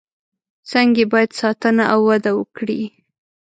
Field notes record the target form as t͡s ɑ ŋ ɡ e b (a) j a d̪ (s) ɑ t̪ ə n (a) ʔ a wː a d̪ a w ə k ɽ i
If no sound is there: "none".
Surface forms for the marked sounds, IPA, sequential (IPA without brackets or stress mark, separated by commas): ɑ, s, a